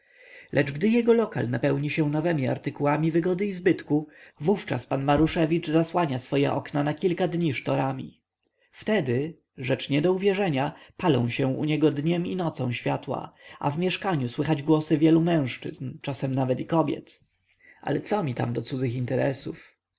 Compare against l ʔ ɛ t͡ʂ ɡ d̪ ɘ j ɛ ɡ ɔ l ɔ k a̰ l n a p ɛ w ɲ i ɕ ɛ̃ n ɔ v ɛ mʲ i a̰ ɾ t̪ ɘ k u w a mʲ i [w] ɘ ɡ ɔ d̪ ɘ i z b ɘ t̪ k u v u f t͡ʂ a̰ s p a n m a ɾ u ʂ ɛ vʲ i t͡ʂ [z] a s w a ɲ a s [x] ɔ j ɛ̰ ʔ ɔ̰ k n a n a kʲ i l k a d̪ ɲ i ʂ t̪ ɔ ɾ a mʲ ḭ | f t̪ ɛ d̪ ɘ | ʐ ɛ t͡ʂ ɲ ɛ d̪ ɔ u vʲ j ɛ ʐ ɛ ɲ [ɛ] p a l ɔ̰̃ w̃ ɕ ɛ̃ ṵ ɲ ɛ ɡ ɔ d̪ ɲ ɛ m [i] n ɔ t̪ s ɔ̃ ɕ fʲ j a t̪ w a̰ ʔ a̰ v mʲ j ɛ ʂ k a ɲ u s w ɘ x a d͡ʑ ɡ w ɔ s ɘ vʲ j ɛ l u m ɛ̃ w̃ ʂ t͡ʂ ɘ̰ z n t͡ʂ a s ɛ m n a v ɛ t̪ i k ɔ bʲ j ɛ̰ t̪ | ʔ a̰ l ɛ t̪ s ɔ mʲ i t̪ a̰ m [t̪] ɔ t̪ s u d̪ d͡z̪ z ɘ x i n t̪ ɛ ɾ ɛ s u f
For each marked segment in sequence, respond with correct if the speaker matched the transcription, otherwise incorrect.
incorrect: v, correct, incorrect: f, incorrect: a, correct, incorrect: d̪

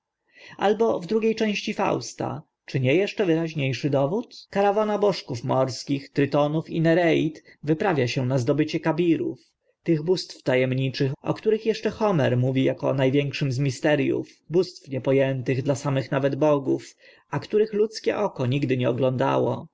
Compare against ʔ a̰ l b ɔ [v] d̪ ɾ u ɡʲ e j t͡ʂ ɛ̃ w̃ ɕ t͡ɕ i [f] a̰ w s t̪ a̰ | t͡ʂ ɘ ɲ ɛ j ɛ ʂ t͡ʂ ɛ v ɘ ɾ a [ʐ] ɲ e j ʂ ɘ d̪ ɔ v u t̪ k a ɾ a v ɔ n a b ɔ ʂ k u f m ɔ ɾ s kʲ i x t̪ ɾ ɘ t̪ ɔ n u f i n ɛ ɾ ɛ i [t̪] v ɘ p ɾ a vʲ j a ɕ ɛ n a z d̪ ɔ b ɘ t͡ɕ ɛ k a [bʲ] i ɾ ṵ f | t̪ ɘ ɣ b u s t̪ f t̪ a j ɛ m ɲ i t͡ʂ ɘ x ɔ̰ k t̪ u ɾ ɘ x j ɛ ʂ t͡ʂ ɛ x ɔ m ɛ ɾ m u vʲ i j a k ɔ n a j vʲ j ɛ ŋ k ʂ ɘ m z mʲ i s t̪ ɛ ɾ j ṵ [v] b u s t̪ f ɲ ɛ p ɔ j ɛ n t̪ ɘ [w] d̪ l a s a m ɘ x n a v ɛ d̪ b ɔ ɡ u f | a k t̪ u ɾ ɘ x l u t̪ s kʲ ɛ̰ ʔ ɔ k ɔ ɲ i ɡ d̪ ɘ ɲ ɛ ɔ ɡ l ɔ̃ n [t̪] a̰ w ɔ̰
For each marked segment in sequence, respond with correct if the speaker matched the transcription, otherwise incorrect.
correct, correct, incorrect: ʑ, correct, correct, incorrect: f, incorrect: ɣ, incorrect: d̪

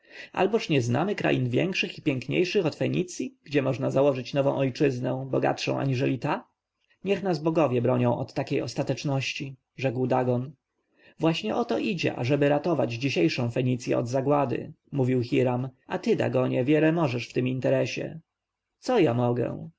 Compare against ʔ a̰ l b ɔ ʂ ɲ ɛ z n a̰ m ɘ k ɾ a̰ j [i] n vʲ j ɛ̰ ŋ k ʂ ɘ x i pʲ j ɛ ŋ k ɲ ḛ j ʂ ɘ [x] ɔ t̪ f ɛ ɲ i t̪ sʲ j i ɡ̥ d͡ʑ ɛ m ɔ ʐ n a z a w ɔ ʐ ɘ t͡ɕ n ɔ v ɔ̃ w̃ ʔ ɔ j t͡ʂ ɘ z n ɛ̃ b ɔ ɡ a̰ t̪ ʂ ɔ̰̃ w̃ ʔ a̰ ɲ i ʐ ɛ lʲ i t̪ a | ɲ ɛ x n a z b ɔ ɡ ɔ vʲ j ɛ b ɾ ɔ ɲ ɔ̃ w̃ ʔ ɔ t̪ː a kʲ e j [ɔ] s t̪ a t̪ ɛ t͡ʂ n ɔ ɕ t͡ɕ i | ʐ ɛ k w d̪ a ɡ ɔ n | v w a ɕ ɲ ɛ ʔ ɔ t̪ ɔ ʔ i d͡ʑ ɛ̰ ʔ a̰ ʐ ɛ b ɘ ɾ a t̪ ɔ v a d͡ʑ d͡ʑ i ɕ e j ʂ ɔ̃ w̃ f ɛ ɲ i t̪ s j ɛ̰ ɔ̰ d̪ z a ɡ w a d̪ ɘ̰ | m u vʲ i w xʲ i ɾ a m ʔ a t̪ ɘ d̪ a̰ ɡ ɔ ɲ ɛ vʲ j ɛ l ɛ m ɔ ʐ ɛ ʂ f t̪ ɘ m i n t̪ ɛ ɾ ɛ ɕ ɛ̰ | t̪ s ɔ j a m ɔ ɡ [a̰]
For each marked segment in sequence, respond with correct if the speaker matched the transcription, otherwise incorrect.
correct, correct, correct, incorrect: ɛ̰

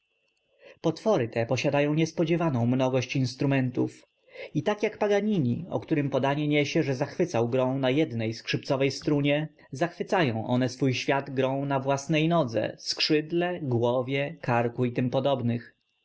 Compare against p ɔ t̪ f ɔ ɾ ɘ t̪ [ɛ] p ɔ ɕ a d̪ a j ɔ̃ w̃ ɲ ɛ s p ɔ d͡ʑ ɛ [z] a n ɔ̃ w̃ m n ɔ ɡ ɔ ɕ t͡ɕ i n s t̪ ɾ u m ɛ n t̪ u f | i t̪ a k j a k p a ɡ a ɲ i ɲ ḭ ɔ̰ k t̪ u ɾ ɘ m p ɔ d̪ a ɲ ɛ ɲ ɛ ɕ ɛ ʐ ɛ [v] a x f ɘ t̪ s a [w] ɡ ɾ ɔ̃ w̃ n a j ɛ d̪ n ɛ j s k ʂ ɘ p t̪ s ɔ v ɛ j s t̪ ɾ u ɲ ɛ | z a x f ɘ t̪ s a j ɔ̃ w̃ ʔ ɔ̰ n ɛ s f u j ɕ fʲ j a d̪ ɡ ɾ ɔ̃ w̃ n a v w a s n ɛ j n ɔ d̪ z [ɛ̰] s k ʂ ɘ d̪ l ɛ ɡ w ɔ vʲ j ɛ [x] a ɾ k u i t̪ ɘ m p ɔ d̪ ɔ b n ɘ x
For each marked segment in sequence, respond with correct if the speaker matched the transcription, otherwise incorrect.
correct, incorrect: v, incorrect: z, correct, correct, incorrect: k

